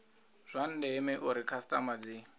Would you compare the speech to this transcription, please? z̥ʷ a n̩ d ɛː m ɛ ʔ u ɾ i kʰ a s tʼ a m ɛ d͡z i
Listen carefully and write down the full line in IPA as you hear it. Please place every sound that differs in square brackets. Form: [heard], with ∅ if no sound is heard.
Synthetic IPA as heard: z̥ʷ a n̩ d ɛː m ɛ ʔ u ɾ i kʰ a s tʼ a m [a] d͡z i

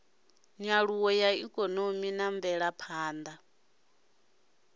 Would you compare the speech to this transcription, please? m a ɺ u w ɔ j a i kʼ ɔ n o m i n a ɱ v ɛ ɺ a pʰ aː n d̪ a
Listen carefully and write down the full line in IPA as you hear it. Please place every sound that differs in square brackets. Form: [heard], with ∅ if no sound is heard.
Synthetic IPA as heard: [ɲ] a ɺ u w ɔ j a i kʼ ɔ n o m i n a ɱ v ɛ ɺ a pʰ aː n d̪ a

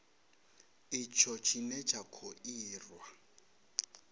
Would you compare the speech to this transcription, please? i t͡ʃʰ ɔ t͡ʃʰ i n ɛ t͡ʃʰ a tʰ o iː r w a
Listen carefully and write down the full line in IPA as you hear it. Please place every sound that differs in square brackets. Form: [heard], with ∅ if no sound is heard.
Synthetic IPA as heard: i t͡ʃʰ ɔ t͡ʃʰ i n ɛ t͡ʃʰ a [kʰ] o iː r w a

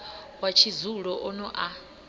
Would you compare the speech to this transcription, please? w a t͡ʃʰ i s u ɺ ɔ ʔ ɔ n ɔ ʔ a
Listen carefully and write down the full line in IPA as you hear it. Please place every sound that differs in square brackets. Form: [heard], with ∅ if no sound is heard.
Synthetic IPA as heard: w a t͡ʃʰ i [z] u ɺ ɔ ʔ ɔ n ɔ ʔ a

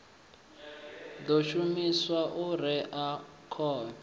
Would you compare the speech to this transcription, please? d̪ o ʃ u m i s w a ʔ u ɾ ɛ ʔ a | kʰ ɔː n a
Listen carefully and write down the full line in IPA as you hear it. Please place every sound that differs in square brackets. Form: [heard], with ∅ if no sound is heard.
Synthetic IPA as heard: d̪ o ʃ u m i s w a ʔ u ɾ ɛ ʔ a | kʰ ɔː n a

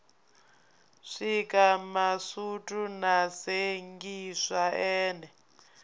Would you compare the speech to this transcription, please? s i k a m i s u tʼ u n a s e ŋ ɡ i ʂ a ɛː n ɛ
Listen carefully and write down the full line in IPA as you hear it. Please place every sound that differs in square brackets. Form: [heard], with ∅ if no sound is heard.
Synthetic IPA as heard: [ʂ] i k a m [a] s u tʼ u n a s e ŋ ɡ i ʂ a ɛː n ɛ

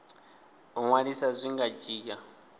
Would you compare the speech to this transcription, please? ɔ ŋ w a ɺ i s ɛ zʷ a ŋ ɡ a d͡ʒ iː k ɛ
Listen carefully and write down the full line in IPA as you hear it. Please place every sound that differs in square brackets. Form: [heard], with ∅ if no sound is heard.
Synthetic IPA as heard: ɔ ŋ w a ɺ i s [a] zʷ [i] ŋ ɡ a d͡ʒ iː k [a]

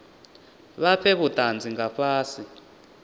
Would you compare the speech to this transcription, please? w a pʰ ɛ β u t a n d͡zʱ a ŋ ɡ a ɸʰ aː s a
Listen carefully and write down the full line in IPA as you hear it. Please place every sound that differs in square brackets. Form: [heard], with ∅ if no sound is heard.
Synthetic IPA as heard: [β] a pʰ ɛ β u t a n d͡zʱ [i] ŋ ɡ a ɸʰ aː s [i]

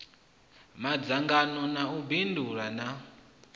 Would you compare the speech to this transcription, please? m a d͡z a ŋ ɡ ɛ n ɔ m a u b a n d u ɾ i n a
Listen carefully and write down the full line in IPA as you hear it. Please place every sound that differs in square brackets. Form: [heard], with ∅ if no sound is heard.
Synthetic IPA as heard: m a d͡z a ŋ ɡ [a] n ɔ [n] a u b [i] n d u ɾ [a] n a

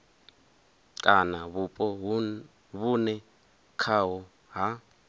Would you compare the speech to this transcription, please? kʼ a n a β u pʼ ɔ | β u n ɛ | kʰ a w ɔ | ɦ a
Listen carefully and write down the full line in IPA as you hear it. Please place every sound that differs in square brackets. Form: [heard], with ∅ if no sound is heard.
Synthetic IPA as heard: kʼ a n a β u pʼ ɔ | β u n ɛ | kʰ a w ɔ | ɦ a

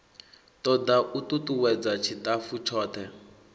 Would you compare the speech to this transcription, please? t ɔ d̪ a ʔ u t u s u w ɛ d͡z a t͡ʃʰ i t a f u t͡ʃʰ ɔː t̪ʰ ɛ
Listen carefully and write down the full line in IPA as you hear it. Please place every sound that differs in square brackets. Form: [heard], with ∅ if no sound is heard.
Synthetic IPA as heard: t ɔ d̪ a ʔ u t u [t] u w ɛ d͡z a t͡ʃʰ i t a f u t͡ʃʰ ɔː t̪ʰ ɛ

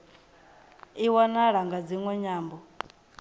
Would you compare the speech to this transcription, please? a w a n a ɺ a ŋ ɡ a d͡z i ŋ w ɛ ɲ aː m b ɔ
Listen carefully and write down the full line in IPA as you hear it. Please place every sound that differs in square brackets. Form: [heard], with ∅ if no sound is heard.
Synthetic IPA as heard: [i] w a n a ɺ a ŋ ɡ a d͡z i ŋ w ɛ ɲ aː m b ɔ

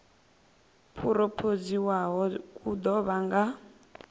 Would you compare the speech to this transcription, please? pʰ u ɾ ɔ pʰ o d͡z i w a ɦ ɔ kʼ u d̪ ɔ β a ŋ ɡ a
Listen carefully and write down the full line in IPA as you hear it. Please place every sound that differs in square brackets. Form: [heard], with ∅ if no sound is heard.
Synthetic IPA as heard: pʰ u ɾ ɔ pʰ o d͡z i w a ɦ ɔ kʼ u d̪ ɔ β a ŋ ɡ a

